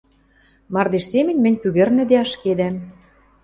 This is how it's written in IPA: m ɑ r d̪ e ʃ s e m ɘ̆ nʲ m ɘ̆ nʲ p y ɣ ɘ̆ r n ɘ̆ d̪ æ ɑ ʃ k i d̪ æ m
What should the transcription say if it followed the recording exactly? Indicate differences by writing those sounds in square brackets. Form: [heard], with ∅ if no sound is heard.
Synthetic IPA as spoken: m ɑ r d̪ e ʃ s e m ɘ̆ nʲ m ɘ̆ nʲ p y ɣ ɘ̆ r n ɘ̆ d̪ [e] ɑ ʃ k [e] d̪ æ m

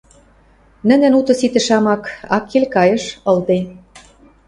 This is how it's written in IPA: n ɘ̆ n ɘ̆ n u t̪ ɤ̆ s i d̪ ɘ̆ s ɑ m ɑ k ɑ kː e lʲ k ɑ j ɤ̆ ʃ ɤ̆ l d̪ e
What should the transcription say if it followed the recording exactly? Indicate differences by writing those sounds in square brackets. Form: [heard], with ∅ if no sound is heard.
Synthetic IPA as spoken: n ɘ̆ n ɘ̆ n u t̪ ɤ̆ s i [t̪] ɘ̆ [ʃ] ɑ m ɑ k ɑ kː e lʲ k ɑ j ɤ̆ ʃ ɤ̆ l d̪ e

